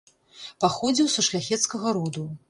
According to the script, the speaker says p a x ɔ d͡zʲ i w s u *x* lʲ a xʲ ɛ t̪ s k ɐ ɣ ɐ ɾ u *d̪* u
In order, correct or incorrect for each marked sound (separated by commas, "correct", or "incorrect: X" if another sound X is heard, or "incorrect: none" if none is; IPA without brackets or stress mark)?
incorrect: ʂ, correct